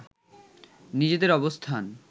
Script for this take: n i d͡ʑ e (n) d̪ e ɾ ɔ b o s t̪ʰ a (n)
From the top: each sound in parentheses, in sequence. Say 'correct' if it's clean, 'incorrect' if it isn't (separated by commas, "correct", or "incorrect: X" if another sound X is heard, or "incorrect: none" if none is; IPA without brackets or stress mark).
incorrect: none, correct